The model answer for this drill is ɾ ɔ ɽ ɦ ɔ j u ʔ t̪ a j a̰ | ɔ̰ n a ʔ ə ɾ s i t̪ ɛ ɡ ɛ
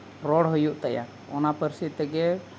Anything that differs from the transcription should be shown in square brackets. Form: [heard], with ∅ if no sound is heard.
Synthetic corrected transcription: ɾ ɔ ɽ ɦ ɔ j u ʔ t̪ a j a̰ | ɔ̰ n a [p] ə ɾ s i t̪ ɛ ɡ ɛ

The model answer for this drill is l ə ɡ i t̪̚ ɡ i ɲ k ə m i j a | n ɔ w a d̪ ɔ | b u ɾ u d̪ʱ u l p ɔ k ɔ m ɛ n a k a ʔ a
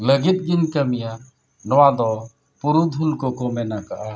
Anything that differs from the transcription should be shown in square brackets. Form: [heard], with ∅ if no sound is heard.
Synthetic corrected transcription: l ə ɡ i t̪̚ ɡ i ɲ k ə m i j a | n ɔ w a d̪ ɔ | [p] u ɾ u d̪ʱ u l [k] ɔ k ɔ m ɛ n a k a ʔ a

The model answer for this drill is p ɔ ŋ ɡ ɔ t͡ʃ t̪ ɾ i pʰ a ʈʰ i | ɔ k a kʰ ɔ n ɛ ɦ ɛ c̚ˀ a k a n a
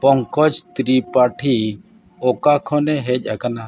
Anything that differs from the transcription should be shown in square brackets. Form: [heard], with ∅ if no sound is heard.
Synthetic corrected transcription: p ɔ ŋ [k] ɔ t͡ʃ t̪ ɾ i [p] a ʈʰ i | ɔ k a kʰ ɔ n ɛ ɦ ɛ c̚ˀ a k a n a

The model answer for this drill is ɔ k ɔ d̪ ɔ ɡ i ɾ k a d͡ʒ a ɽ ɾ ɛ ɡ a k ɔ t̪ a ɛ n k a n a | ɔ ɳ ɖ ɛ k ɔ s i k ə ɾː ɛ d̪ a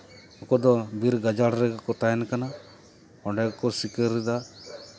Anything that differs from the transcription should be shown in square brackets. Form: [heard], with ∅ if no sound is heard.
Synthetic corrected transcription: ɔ k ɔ d̪ ɔ [b] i ɾ [ɡ] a d͡ʒ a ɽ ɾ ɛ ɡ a k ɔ t̪ a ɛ n k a n a | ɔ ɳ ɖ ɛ k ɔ s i k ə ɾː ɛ d̪ a

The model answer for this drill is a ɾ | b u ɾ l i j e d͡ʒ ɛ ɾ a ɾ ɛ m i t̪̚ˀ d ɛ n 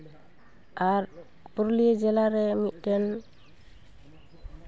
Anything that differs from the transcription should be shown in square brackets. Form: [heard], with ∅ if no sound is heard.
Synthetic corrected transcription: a ɾ | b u ɾ l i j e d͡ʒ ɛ [l] a ɾ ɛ m i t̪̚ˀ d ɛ n

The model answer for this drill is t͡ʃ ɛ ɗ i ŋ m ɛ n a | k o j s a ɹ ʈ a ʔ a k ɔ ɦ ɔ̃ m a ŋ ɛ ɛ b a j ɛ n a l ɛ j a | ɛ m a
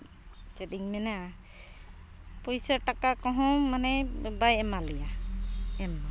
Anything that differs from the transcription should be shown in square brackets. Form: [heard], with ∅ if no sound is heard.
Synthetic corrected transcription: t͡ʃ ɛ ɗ i ŋ m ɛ n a | [p] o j s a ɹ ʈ a [k] a k ɔ ɦ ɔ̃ m a [n] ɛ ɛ b a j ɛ [m] a l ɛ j a | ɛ m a

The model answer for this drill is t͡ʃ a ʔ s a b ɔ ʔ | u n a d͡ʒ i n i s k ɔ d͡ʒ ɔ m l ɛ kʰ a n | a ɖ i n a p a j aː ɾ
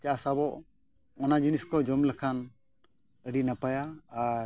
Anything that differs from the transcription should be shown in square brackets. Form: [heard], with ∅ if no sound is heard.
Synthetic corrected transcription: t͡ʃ a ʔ s a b ɔ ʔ | [ɔ] n a d͡ʒ i n i s k ɔ d͡ʒ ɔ m l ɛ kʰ a n | [ə] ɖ i n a p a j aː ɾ

